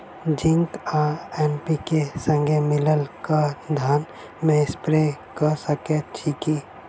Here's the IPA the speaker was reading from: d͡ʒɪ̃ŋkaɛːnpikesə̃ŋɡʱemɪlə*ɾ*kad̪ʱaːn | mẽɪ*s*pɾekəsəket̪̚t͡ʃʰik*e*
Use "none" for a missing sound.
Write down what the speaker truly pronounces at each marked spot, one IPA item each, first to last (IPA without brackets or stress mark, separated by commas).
l, s, i